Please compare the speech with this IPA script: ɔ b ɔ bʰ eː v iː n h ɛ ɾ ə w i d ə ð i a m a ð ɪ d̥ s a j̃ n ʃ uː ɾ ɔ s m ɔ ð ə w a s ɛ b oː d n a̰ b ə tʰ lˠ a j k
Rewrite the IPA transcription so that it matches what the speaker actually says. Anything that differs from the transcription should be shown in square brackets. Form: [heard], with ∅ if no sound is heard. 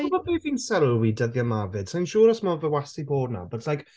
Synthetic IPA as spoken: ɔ b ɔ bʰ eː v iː n [s] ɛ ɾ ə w i d ə ð [j] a m a [v] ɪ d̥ s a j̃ n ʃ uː ɾ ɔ s m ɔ [v] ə w a s [i] b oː d n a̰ b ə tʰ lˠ a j k